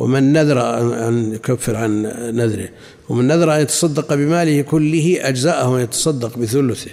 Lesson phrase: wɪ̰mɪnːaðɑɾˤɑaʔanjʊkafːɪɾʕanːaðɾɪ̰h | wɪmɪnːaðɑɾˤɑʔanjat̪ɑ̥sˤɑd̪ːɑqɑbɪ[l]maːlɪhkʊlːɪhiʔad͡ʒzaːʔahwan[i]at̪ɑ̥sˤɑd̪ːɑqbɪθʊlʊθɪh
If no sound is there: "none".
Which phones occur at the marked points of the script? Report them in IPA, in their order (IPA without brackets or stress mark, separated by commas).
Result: none, j